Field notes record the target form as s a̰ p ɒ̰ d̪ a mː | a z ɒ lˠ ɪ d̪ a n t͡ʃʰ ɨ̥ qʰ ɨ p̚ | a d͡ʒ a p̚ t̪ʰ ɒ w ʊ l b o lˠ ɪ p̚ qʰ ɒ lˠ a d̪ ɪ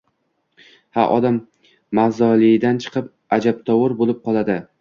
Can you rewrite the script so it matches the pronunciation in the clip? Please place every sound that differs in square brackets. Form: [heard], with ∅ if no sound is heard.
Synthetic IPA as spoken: [h] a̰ [ʔ] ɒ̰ d̪ a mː | a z ɒ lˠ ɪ d̪ a n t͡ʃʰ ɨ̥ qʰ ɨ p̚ | a d͡ʒ a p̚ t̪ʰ ɒ w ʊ [ɾ] b o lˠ ɪ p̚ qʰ ɒ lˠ a d̪ ɪ